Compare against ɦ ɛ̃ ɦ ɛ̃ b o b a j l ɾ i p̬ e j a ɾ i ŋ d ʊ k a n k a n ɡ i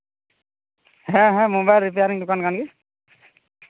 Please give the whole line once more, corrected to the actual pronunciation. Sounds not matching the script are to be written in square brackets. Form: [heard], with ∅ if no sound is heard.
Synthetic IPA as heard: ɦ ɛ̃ ɦ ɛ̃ [m] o b a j l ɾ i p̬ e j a ɾ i ŋ d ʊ k a n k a n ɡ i